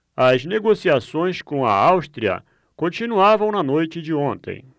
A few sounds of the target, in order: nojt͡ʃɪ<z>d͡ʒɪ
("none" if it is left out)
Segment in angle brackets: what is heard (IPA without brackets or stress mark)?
none